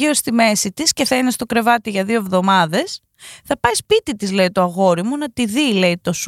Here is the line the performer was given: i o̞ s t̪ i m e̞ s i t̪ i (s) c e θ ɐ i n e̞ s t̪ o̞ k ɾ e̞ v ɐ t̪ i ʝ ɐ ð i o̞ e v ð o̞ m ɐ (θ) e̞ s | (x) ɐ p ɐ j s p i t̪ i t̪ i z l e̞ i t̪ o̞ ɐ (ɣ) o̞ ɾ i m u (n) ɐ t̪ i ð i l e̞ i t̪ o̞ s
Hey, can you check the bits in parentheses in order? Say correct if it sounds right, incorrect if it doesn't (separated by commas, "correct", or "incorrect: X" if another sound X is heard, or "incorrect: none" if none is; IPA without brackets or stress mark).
correct, incorrect: ð, incorrect: θ, correct, correct